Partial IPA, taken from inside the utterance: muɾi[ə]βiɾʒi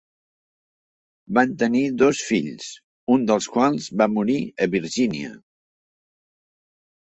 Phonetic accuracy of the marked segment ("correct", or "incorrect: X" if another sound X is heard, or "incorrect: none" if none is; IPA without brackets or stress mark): correct